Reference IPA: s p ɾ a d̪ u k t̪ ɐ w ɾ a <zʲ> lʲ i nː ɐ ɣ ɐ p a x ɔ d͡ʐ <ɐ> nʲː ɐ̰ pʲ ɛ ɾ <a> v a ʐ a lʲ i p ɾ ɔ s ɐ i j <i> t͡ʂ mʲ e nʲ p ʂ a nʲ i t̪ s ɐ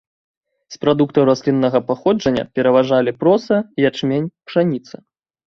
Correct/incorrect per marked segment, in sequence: incorrect: sʲ, correct, incorrect: ɐ, incorrect: a

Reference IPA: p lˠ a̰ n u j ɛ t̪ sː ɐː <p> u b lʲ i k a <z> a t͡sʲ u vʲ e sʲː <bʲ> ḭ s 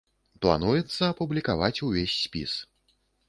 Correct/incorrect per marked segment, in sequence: correct, incorrect: v, incorrect: pʲ

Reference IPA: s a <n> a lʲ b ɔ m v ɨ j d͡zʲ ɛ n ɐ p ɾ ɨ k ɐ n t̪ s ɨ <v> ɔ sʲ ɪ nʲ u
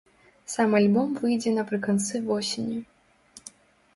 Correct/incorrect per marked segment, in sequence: incorrect: m, correct

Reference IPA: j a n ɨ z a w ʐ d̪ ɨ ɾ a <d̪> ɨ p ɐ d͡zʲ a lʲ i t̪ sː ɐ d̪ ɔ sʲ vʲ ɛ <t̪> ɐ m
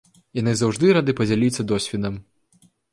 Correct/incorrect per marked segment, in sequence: correct, incorrect: d̪

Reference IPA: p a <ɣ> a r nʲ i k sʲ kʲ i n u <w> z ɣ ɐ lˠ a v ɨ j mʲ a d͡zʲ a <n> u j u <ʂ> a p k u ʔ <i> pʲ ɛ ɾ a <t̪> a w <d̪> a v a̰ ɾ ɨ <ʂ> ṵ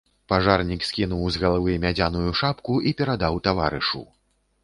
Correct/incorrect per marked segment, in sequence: incorrect: ʐ, correct, correct, correct, correct, incorrect: d̪, incorrect: t̪, correct

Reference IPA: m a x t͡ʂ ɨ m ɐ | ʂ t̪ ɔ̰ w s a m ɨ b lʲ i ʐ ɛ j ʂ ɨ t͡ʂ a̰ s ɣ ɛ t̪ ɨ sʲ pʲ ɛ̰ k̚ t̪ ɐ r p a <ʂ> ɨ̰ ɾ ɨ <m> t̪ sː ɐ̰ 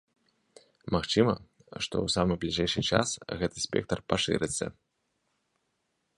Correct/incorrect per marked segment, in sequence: correct, incorrect: none

